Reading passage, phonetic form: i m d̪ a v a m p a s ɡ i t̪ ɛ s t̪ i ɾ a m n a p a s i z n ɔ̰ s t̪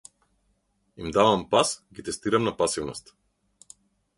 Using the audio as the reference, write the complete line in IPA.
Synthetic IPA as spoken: i m d̪ a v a m p a s ɡ i t̪ ɛ s t̪ i ɾ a m n a p a s i v n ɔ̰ s t̪